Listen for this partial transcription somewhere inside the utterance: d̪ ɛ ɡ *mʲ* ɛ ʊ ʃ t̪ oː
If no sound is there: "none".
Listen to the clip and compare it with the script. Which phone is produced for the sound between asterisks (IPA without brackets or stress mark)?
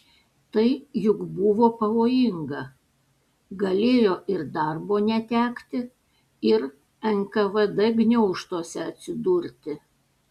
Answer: nʲ